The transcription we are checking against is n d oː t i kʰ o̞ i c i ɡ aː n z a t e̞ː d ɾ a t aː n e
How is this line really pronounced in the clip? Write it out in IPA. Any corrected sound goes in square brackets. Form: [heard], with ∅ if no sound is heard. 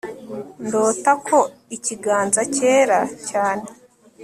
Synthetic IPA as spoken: n d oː t [a] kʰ o̞ i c i ɡ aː n z a [c] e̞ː [∅] ɾ a [c] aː n e

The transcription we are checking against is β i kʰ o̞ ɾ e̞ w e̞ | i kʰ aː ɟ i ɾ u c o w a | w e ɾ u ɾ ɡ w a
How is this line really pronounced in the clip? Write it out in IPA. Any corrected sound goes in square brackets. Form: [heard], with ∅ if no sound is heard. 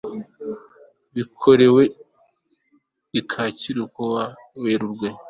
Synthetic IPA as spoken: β i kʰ o̞ ɾ e̞ w e̞ | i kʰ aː [c] i ɾ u [k] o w a | w e ɾ u ɾ ɡ w [e]

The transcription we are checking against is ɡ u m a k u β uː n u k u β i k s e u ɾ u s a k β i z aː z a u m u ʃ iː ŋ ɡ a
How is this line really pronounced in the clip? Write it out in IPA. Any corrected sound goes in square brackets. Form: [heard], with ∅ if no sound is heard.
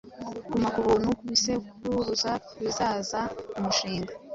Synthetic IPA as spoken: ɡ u m a k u β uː n u k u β i [∅] s e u ɾ u [z] a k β i z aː z a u m u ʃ iː ŋ ɡ a

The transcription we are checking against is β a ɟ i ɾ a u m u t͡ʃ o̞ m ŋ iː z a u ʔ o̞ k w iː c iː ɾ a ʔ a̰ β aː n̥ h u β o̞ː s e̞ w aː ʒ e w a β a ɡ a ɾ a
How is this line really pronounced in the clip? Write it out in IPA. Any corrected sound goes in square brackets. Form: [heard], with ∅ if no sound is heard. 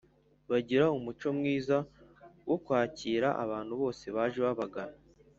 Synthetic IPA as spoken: β a ɟ i ɾ a u m u t͡ʃ o̞ m ŋ iː z a [w] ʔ o̞ k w [aː] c iː ɾ a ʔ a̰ β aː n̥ h u β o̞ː s e̞ [β] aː ʒ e [β] a β a ɡ a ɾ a

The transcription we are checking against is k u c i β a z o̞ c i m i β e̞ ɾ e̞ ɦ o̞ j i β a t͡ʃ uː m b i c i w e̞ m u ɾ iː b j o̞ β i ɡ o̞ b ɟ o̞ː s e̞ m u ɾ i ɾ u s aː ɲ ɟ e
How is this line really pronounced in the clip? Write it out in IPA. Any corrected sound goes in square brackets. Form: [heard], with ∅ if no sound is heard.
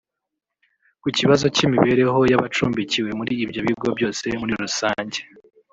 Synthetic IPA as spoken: k u c i β a z o̞ c i m i β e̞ ɾ e̞ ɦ o̞ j [a] β a t͡ʃ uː m b i c i w e̞ m u ɾ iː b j o̞ β i ɡ o̞ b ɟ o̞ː s e̞ m u ɾ i ɾ u s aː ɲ ɟ e

